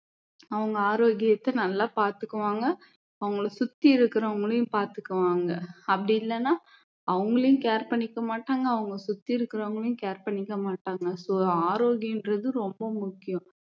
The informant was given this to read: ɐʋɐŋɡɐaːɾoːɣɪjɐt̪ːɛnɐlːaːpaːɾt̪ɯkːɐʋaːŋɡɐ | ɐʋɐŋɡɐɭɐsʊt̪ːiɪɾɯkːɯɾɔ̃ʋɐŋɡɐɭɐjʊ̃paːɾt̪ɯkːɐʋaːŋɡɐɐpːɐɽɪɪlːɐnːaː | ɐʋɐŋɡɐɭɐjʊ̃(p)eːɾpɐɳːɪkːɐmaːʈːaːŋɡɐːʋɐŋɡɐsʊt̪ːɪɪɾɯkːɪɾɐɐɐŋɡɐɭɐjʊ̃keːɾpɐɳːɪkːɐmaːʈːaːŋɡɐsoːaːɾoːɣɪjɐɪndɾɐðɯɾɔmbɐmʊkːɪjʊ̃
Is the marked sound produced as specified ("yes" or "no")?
no